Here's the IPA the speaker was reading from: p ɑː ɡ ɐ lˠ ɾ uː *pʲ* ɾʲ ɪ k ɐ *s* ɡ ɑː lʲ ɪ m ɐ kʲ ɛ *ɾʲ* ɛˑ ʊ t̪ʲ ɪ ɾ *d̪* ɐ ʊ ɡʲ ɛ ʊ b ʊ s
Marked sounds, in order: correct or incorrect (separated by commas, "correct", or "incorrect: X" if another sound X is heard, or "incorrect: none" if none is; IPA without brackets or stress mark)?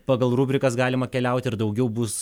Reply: incorrect: bʲ, correct, incorrect: lʲ, correct